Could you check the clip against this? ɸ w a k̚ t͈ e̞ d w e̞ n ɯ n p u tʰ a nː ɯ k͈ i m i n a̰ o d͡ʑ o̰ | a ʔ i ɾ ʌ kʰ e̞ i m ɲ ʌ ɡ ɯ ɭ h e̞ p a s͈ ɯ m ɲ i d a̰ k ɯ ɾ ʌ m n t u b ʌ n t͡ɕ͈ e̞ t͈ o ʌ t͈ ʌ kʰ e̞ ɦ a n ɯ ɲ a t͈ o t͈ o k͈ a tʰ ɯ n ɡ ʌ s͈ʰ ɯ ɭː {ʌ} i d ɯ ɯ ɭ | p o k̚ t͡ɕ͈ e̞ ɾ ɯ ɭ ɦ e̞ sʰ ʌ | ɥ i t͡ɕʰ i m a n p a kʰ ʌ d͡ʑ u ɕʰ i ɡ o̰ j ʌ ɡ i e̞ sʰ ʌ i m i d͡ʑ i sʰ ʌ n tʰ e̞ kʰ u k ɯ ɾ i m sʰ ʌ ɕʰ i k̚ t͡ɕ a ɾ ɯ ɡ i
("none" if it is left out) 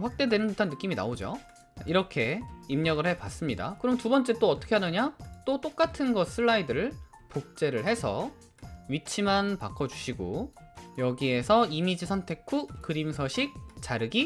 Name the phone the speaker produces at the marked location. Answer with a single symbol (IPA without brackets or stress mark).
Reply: a